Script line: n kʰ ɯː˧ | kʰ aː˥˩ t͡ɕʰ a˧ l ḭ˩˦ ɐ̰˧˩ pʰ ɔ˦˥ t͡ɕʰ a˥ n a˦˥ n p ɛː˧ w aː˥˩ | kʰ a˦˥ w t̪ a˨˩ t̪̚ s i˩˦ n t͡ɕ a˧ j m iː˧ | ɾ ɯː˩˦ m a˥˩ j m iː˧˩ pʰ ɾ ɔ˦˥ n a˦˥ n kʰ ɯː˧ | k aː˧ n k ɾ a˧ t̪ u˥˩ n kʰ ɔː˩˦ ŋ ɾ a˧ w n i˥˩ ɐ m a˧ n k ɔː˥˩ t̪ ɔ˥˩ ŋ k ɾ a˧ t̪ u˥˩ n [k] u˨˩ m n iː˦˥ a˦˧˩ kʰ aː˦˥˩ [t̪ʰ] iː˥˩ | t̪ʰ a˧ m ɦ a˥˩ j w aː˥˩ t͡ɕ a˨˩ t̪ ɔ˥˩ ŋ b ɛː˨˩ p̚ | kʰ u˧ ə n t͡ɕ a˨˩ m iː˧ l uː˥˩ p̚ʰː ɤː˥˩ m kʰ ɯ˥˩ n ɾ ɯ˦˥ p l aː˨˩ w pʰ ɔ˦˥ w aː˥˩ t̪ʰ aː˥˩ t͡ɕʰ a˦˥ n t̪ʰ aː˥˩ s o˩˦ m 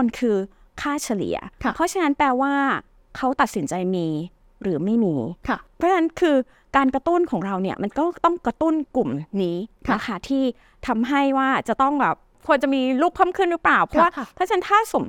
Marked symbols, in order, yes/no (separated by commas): yes, yes